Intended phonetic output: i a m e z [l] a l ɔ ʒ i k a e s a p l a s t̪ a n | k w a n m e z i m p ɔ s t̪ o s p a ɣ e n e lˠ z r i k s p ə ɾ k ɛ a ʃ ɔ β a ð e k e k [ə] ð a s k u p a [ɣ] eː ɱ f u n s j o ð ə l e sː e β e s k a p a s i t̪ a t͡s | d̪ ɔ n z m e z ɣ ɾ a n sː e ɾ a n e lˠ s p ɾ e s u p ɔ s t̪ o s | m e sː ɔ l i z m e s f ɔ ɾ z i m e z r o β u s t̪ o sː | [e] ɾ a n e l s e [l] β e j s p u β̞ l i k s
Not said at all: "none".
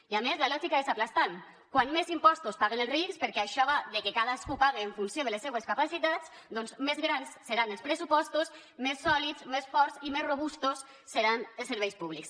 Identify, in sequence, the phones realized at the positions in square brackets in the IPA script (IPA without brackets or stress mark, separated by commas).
l, a, ɣ, e, ɾ